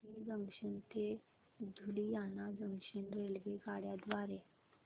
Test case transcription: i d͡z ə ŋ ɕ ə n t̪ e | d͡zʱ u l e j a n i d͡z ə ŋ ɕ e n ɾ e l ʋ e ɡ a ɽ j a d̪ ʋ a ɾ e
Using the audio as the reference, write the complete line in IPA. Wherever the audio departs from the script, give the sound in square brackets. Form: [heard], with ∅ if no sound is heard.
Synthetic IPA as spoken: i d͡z ə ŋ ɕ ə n t̪ e | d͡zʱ u l [i] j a n [a] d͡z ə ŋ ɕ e n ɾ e l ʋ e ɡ a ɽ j a d̪ ʋ a ɾ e